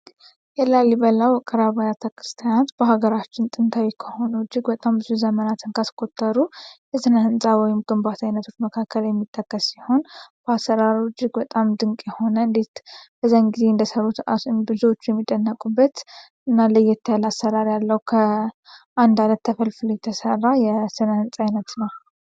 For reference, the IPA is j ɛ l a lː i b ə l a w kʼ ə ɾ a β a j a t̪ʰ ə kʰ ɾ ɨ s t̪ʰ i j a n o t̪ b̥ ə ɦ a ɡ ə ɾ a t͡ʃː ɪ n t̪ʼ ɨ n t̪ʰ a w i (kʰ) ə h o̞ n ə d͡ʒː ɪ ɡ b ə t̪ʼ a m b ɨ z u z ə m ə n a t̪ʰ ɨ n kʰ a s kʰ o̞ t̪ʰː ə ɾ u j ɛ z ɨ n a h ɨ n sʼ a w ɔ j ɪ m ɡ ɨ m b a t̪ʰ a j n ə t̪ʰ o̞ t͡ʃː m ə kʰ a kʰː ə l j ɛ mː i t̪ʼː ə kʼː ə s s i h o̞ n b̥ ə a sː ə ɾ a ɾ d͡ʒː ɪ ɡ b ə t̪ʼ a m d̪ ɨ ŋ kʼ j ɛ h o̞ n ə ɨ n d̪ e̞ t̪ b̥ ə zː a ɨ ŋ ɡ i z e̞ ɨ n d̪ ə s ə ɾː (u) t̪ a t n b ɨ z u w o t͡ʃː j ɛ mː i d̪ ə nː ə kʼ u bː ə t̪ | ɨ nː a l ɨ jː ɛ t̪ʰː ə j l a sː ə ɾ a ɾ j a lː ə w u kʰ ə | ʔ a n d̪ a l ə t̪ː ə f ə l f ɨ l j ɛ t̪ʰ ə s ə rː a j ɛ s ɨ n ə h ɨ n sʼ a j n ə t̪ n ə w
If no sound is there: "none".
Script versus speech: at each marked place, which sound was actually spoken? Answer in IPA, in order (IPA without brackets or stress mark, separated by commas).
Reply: kʰ, u